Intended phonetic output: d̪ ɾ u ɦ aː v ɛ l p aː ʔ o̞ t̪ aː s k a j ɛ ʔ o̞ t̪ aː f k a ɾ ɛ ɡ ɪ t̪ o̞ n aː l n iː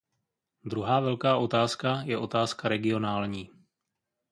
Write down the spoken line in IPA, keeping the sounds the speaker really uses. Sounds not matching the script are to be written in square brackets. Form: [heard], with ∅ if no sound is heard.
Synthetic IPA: d̪ ɾ u ɦ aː v ɛ l [k] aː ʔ o̞ t̪ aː s k a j ɛ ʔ o̞ t̪ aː [s] k a ɾ ɛ ɡ ɪ [∅] o̞ n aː l [ɲ] iː